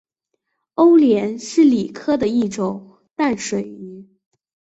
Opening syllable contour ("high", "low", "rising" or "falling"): high